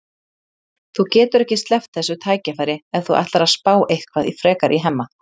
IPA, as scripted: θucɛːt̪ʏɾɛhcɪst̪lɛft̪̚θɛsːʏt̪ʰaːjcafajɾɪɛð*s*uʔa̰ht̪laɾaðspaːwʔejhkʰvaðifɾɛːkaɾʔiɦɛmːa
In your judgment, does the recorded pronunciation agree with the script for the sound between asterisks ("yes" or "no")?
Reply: no